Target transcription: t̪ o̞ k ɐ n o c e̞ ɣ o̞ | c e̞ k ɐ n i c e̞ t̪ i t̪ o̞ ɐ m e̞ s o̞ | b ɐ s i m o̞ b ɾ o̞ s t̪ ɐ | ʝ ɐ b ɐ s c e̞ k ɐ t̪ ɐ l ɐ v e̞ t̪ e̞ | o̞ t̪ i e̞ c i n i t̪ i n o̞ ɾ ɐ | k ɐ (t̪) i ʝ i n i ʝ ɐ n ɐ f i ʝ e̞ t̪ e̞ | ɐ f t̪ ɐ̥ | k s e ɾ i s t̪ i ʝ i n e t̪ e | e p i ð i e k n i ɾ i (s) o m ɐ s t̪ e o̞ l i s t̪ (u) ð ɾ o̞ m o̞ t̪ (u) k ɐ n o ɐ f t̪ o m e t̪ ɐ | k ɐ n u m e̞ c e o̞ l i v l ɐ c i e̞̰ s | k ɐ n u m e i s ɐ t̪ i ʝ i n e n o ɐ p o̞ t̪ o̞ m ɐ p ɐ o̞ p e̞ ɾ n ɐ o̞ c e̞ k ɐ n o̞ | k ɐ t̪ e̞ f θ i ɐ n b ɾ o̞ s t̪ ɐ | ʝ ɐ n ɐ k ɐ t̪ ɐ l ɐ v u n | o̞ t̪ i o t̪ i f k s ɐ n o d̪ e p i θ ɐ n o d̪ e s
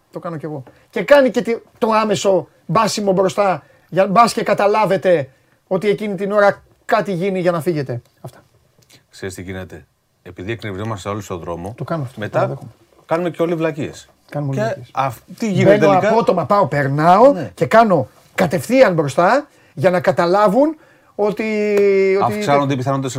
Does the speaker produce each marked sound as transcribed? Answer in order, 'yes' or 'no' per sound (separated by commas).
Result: yes, no, no, no